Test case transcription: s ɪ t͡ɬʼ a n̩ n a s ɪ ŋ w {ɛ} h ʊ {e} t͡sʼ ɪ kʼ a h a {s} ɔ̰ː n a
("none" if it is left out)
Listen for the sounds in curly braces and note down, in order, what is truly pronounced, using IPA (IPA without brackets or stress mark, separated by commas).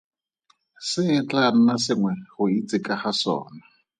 ɛ, i, s